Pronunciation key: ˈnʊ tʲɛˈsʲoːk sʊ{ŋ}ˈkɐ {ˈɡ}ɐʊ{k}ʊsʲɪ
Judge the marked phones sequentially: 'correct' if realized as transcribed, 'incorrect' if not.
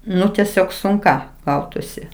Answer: correct, correct, incorrect

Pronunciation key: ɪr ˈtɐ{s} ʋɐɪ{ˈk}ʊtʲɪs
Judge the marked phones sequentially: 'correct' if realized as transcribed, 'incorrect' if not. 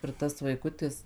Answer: correct, correct

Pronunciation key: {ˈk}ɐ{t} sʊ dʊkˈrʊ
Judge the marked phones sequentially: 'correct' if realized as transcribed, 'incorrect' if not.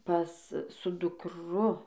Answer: incorrect, incorrect

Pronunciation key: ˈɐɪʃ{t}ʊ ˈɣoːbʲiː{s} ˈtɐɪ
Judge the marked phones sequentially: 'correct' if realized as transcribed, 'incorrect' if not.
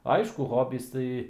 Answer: incorrect, correct

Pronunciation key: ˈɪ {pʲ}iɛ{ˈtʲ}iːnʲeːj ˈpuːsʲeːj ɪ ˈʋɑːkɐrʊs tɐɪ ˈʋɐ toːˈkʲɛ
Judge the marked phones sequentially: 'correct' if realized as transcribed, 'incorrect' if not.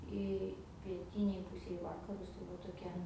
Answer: correct, correct

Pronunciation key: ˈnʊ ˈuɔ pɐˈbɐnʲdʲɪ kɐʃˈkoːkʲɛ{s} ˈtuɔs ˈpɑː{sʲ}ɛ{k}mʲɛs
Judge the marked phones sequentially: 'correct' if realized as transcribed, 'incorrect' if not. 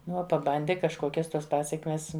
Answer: correct, correct, correct

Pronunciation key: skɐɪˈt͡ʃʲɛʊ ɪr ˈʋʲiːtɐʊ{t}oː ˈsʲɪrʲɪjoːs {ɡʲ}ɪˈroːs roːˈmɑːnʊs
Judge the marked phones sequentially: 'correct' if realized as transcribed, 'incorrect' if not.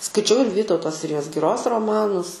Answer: correct, correct

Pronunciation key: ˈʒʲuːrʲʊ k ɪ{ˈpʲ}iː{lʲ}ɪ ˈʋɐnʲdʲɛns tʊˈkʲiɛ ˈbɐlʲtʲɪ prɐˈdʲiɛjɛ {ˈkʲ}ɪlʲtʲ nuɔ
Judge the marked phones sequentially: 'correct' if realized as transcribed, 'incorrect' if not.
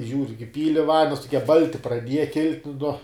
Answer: correct, correct, correct

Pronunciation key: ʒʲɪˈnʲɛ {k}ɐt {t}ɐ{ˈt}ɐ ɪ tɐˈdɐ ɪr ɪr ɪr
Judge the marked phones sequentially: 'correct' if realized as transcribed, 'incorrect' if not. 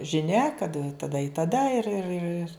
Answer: correct, correct, incorrect

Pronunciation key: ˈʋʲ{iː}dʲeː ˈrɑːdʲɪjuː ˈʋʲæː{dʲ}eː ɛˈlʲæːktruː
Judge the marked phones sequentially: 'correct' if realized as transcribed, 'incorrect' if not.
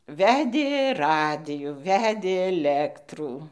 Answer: incorrect, correct

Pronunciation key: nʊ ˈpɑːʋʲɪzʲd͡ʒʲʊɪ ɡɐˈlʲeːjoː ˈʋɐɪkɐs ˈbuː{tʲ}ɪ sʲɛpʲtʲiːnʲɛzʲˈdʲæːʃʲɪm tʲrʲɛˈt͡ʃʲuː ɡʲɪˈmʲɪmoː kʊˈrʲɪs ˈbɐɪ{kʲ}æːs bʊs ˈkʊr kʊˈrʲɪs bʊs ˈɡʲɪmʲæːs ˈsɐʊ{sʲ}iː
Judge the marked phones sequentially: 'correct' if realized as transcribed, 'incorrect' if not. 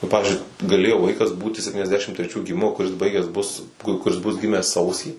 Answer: correct, incorrect, correct

